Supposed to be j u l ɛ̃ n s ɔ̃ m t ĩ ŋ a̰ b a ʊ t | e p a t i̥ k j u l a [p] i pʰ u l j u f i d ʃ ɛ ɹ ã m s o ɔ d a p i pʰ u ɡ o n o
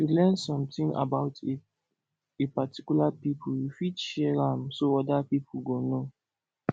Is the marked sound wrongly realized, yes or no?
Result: no